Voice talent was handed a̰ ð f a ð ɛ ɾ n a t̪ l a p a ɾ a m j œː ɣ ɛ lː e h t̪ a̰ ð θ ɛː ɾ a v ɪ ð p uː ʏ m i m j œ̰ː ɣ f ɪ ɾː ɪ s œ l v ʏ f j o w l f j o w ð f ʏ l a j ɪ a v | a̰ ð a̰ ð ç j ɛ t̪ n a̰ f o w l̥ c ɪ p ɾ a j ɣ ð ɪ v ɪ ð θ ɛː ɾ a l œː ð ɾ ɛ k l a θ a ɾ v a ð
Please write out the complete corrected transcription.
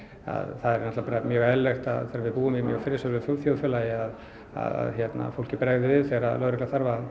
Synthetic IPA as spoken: a̰ ð θ a ð ɛ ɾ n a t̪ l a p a ɾ a m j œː ɣ ɛ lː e x t̪ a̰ ð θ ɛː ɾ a v ɪ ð p uː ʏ m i m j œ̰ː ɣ f ɪ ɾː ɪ s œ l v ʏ f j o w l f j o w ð f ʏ l a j ɪ a ð | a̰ ð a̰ ð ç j ɛ t̪ n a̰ f o w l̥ c ɪ p ɾ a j ɣ ð ɪ v ɪ ð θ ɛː ɾ a l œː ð ɾ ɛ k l a θ a ɾ v a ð